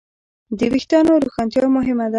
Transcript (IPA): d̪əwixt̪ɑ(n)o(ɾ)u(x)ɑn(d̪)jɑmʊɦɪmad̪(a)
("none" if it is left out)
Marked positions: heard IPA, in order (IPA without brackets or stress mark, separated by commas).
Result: n, ɾ, x, t̪, a